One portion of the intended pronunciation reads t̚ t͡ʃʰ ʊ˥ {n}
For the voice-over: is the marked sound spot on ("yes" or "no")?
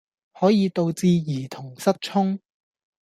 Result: no